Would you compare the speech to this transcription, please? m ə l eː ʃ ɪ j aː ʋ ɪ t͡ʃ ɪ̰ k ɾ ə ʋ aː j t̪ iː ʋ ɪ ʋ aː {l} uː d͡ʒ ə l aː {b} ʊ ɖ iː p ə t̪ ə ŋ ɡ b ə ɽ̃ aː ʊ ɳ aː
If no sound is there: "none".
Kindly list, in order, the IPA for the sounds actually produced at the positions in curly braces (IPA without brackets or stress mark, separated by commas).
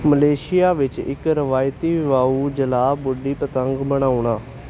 none, b